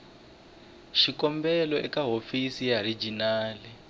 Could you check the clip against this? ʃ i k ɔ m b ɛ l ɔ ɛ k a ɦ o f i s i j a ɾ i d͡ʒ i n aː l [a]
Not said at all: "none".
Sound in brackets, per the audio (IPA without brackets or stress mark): i